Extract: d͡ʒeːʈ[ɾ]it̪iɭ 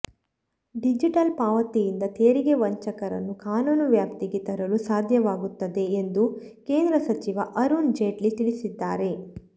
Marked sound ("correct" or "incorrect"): incorrect